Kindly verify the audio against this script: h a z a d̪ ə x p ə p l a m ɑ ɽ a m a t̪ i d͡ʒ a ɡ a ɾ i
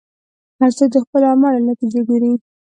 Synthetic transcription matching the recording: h a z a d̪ ə x p ə l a m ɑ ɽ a n a t̪ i d͡ʒ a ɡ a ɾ i